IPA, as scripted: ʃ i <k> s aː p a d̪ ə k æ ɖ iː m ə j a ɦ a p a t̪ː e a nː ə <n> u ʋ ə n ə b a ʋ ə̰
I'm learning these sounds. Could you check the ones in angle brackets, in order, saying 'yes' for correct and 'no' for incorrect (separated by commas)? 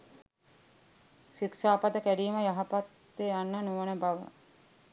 yes, yes